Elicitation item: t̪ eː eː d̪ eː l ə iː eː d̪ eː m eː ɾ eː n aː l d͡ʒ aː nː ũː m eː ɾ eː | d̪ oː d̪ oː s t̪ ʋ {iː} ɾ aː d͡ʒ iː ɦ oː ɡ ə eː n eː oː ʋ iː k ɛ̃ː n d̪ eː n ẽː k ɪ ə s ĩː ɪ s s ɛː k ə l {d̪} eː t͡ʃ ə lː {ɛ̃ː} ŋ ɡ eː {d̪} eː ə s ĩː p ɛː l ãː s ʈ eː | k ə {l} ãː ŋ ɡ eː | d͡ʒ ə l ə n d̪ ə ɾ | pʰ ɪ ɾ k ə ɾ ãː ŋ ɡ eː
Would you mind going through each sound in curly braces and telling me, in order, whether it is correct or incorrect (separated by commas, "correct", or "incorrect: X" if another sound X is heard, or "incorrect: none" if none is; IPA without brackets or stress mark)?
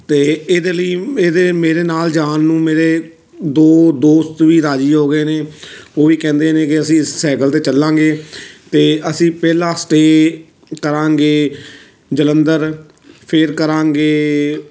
correct, incorrect: t̪, incorrect: ãː, incorrect: t̪, incorrect: ɾ